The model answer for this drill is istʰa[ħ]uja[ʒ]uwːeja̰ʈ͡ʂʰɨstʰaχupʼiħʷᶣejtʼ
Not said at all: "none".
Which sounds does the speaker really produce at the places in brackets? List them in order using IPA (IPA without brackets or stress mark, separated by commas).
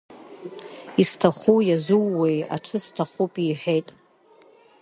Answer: χ, z